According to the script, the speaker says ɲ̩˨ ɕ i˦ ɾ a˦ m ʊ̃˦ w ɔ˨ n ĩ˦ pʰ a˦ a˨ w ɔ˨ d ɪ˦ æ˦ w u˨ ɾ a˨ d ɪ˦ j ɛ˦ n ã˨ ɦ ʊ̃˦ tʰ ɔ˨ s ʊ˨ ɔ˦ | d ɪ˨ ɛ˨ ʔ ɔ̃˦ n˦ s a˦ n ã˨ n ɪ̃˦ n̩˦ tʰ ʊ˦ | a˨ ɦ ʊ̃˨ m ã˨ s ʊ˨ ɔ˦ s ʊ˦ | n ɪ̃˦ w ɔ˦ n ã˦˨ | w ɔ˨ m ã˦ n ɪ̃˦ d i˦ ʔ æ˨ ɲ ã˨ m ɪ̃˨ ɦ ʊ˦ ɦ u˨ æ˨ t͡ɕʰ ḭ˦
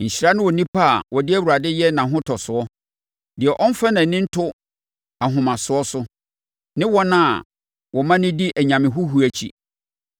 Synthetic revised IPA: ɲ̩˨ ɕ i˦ ɾ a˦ n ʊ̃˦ w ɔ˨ n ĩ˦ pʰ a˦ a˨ w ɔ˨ d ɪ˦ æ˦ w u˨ ɾ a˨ d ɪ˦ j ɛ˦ n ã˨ ɦ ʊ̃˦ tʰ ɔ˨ s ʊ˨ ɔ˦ | d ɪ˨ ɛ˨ ʔ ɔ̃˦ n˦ f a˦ n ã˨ n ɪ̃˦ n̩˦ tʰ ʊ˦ | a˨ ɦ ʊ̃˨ m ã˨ s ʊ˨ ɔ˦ s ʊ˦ | n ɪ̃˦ w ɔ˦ n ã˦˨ | w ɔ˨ m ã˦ n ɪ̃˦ d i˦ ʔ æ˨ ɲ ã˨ m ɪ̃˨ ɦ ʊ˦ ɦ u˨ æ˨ t͡ɕʰ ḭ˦